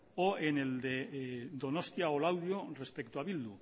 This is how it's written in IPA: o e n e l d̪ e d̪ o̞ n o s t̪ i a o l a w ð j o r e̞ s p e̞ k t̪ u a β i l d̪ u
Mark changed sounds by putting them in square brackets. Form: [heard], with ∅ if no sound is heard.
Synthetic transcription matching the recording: o e n e l d̪ e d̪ o̞ n o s t̪ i a o l a w ð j o r e̞ s p e̞ k t̪ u a β i l d̪ u

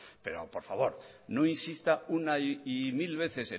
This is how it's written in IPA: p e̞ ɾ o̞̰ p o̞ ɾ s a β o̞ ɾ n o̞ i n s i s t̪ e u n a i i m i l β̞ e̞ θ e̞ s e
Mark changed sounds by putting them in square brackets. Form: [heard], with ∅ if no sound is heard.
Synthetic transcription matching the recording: p e̞ ɾ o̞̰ p o̞ ɾ [f] a β o̞ ɾ n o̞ i n s i s t̪ [a] u n a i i m i l β̞ e̞ θ e̞ s e

